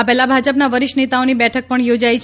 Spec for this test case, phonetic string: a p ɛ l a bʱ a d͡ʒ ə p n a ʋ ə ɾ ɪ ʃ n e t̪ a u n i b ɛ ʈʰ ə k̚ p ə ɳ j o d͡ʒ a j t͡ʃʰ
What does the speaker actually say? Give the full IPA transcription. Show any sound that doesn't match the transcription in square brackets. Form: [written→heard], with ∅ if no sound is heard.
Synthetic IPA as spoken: a p ɛ l a bʱ a d͡ʒ ə p n a ʋ ə ɾ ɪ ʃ n e t̪ a [u→o] n i b ɛ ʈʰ ə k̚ p ə ɳ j o d͡ʒ a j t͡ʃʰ